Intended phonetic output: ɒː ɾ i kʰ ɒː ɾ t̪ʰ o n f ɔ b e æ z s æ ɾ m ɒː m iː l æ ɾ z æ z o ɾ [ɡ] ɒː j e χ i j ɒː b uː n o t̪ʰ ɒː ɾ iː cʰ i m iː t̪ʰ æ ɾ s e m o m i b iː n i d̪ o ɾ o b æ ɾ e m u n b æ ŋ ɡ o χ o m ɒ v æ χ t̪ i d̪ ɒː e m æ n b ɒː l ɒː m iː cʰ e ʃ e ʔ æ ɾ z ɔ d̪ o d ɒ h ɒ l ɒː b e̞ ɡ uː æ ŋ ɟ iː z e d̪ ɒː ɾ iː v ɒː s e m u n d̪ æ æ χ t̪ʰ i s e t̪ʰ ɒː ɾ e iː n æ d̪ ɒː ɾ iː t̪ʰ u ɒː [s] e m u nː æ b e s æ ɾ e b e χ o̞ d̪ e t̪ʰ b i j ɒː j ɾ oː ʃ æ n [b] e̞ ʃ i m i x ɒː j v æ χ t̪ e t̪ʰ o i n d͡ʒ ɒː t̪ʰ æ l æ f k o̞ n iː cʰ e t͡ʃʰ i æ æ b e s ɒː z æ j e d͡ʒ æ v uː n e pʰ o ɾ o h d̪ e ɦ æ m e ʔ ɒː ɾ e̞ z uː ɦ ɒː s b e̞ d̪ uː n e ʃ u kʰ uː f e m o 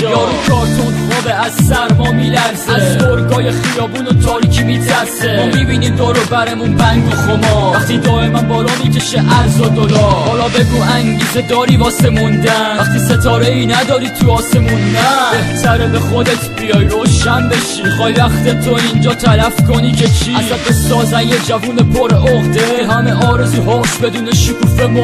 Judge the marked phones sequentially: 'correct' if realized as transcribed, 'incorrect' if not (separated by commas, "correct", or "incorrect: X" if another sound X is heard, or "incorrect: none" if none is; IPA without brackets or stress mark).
correct, correct, correct